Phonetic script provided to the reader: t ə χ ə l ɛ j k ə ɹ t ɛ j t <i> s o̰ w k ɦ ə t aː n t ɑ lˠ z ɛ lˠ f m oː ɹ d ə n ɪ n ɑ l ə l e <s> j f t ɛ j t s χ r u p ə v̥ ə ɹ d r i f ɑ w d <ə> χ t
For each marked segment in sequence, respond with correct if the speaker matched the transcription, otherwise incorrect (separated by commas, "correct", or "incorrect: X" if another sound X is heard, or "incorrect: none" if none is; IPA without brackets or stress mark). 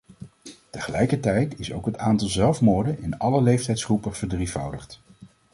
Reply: incorrect: ɪ, incorrect: none, correct